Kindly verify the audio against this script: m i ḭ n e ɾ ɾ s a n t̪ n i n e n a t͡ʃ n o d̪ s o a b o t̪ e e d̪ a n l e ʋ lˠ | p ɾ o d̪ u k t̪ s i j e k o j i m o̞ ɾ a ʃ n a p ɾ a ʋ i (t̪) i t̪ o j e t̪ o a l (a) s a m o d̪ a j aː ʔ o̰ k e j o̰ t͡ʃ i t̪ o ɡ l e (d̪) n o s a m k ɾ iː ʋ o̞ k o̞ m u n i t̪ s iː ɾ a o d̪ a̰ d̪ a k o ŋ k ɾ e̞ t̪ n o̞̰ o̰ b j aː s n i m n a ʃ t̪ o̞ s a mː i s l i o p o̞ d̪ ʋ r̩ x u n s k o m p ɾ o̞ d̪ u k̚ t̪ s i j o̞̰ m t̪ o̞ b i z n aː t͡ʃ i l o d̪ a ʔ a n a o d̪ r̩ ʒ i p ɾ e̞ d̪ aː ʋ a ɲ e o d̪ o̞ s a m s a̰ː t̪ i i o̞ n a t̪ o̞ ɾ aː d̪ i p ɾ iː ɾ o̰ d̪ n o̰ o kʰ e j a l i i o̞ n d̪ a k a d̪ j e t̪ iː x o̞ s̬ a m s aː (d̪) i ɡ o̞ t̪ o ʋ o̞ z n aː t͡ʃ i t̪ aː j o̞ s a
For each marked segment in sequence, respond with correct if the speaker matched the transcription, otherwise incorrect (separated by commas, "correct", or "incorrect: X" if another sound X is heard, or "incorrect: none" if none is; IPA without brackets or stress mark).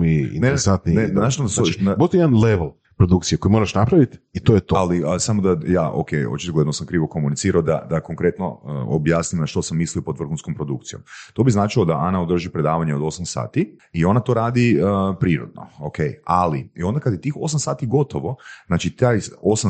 correct, incorrect: i, correct, incorrect: t̪